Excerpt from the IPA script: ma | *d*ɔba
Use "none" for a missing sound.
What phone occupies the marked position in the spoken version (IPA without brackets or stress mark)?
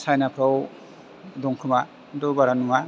d